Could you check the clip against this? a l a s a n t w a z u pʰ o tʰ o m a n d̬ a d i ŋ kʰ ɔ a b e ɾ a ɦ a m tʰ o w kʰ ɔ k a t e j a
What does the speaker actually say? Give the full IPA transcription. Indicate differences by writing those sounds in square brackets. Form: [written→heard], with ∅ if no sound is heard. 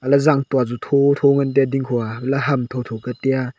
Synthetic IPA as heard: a l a [s→z] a [n→ŋ] t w a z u [pʰ→tʰ] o tʰ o [m→ŋ] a n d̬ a d i ŋ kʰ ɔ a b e [ɾ→l] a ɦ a m tʰ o w [kʰ→tʰ] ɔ k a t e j a